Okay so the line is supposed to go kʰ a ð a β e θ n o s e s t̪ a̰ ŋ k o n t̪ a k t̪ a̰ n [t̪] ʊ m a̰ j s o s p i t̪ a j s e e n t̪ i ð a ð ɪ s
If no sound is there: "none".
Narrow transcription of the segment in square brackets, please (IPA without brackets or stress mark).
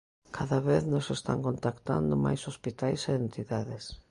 d̪